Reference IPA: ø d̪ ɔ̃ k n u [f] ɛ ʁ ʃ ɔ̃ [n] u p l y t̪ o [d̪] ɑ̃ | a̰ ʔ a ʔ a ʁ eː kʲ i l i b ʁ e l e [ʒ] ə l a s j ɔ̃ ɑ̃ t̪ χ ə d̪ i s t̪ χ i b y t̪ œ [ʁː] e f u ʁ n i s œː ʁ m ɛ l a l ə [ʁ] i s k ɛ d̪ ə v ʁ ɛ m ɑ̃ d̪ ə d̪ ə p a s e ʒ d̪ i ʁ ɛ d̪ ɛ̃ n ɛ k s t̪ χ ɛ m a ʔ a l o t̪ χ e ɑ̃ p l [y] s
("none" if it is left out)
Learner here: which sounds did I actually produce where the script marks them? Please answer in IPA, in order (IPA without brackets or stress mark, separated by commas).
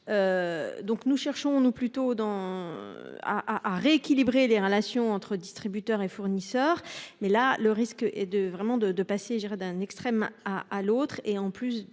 ʃ, n, d̪, ʁ, ʁ, ʁ, y